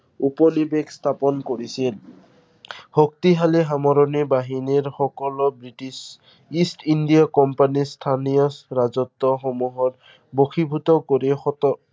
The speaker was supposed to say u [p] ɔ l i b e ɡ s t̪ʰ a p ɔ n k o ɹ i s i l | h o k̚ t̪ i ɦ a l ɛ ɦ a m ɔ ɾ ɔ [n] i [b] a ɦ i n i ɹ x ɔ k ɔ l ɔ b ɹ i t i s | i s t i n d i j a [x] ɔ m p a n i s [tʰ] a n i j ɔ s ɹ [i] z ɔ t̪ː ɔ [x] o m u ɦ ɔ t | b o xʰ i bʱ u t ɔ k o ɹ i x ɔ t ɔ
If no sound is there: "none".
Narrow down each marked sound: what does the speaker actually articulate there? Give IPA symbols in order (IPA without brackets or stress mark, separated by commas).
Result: p, n, b, k, tʰ, a, x